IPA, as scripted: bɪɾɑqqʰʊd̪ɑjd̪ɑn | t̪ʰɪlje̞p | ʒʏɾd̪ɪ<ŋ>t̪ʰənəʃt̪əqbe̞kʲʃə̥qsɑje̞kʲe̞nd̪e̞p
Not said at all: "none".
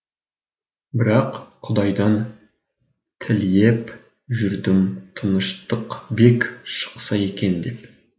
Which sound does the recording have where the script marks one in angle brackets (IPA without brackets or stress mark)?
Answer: m